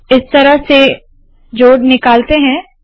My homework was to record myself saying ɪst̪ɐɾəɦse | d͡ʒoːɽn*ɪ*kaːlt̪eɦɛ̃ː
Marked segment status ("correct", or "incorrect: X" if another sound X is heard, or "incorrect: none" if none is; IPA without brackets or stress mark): correct